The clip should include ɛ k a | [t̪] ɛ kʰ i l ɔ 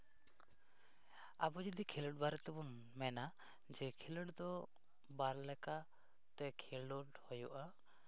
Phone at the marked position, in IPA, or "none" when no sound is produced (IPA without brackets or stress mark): t̪